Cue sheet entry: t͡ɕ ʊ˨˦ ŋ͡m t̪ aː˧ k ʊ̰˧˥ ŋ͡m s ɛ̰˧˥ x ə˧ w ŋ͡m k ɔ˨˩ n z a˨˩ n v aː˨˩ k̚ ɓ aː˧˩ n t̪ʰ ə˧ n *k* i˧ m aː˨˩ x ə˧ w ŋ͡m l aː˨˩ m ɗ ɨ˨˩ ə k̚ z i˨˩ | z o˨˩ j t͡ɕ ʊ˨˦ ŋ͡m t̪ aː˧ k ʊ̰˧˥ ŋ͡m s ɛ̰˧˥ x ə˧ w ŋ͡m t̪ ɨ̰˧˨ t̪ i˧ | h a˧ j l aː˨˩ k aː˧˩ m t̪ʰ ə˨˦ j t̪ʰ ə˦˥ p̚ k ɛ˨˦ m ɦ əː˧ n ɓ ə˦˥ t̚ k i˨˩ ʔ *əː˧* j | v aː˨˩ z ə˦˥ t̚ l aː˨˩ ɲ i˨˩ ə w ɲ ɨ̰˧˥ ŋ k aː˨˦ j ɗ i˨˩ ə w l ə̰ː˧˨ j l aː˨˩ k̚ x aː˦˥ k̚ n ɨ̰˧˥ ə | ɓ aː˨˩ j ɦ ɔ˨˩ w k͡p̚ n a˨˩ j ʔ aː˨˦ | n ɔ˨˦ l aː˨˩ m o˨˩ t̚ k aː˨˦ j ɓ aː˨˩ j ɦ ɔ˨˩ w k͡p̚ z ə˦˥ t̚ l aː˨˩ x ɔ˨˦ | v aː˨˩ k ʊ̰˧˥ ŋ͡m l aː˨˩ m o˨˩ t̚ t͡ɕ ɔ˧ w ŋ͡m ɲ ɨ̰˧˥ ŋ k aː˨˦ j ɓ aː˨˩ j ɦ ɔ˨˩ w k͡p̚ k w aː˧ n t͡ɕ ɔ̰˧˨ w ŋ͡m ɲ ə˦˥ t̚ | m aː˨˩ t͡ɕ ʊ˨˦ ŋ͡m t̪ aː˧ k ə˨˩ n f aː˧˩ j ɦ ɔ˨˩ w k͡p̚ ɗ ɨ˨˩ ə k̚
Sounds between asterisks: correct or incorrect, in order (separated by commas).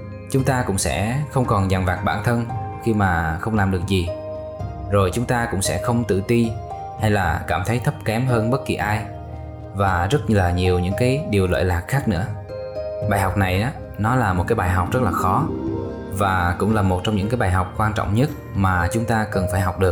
incorrect, incorrect